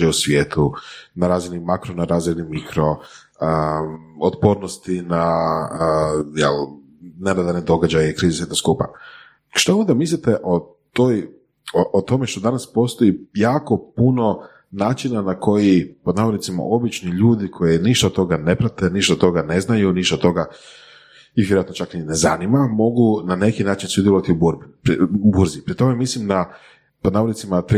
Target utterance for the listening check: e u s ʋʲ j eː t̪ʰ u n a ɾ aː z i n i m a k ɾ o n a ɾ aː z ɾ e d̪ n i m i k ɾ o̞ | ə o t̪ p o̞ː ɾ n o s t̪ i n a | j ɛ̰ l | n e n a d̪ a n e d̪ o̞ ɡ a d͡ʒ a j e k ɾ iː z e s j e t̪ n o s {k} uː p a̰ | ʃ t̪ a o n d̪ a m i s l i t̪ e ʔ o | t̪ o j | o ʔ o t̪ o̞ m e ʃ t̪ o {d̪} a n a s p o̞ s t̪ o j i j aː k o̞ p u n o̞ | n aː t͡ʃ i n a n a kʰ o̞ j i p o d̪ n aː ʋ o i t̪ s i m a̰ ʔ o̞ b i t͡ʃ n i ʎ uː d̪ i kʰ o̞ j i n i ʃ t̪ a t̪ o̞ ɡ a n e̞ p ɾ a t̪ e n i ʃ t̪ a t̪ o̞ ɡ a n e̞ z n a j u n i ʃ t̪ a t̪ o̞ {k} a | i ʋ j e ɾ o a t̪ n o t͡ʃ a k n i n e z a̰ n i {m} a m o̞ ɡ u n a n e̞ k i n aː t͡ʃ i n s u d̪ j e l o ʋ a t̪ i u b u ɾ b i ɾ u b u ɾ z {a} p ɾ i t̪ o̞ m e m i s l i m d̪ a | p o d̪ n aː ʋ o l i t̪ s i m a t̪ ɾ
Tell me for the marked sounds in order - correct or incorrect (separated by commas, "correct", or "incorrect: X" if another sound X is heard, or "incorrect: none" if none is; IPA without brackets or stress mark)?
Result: correct, correct, incorrect: ɡ, correct, incorrect: i